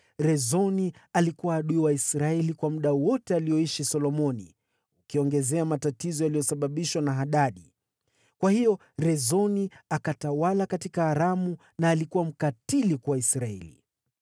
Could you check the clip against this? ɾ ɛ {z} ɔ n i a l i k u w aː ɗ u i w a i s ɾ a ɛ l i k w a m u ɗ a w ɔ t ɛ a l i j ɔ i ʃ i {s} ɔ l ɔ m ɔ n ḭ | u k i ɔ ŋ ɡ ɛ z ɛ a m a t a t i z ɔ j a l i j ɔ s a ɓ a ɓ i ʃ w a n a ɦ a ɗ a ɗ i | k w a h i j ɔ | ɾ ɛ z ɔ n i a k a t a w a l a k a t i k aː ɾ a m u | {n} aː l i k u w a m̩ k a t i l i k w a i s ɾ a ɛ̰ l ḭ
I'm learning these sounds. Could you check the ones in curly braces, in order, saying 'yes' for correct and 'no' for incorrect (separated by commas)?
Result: yes, yes, yes